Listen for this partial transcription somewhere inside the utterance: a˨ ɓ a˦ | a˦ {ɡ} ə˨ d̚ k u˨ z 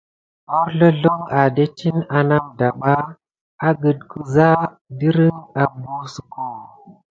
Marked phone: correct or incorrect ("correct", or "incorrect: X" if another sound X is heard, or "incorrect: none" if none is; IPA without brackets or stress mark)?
correct